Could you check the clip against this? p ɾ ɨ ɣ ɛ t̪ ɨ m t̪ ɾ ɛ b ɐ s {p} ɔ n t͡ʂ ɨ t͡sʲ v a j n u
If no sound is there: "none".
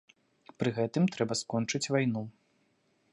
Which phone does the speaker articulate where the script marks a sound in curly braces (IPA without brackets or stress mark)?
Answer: k